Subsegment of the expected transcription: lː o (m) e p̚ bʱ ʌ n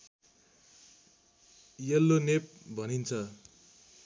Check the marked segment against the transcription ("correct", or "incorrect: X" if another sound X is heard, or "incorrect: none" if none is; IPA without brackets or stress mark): incorrect: n